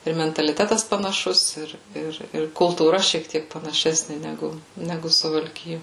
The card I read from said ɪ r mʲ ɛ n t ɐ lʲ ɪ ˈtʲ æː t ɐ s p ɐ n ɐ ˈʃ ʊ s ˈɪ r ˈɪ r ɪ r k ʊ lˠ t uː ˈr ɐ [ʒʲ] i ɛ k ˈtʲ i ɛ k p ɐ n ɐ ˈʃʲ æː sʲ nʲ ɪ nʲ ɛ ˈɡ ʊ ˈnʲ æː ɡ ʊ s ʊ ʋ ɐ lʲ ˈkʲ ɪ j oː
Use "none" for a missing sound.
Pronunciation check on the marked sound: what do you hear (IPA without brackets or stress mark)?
ʃʲ